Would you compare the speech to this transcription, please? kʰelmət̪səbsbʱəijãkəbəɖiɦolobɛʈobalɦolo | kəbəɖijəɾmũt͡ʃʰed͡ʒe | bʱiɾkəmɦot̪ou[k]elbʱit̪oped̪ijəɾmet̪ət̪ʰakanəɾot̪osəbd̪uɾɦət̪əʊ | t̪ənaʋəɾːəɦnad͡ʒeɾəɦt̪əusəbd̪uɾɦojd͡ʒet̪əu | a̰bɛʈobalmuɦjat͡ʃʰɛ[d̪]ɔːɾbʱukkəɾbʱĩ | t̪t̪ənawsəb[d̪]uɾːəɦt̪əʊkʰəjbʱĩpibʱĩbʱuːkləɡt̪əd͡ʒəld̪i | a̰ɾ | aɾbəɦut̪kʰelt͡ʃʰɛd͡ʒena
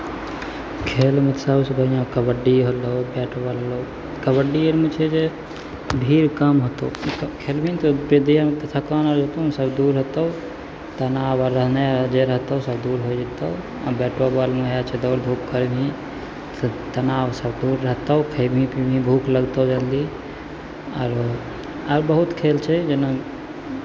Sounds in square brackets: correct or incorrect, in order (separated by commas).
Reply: incorrect, correct, correct